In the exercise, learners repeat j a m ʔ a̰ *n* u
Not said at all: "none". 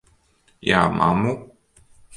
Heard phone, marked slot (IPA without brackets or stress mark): m